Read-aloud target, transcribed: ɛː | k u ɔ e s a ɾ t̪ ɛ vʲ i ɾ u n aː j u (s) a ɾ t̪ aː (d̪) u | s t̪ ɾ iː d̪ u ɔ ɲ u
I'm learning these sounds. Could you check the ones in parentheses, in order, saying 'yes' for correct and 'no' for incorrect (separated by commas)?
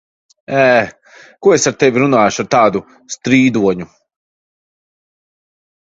no, yes